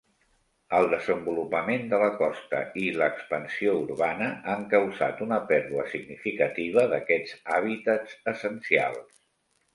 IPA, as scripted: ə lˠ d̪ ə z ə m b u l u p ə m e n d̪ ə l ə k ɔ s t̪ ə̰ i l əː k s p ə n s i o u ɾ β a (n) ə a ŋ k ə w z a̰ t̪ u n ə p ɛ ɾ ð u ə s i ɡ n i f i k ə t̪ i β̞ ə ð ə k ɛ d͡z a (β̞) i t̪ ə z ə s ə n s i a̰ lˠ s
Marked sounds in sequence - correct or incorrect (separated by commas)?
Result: correct, correct